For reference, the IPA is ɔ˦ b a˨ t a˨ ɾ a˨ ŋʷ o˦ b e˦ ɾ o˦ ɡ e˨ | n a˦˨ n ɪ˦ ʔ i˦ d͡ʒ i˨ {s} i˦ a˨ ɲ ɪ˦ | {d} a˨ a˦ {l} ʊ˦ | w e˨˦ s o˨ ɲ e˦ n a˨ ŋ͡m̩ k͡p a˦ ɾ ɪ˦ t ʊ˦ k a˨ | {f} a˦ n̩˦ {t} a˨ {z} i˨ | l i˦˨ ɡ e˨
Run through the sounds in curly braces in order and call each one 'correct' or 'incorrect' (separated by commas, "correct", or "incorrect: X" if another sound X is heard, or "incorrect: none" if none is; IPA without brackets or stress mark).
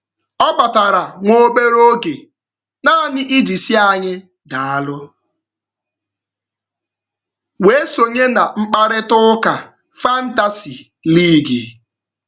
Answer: correct, correct, correct, correct, correct, incorrect: s